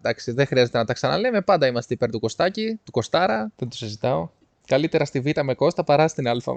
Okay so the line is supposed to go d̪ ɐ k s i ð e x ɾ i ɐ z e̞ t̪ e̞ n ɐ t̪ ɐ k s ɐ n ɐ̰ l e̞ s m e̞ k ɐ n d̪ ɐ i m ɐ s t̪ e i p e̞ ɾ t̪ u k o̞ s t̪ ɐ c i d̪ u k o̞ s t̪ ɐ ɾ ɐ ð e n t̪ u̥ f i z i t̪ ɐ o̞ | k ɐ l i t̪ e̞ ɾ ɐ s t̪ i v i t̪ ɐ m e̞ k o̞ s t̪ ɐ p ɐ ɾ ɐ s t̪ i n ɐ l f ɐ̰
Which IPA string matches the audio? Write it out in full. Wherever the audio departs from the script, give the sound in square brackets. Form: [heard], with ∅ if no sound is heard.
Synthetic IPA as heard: d̪ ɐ k s i ð e x ɾ i ɐ z e̞ t̪ e̞ n ɐ t̪ ɐ k s ɐ n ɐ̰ l e̞ [∅] m e̞ [p] ɐ n d̪ ɐ i m ɐ s t̪ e i p e̞ ɾ t̪ u k o̞ s t̪ ɐ c i [t̪] u k o̞ s t̪ ɐ ɾ ɐ ð e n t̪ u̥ [s] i z i t̪ ɐ o̞ | k ɐ l i t̪ e̞ ɾ ɐ s t̪ i v i t̪ ɐ m e̞ k o̞ s t̪ ɐ p ɐ ɾ ɐ s t̪ i n ɐ l f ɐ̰